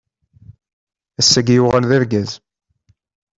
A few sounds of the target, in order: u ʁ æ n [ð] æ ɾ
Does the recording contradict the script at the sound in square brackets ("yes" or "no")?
no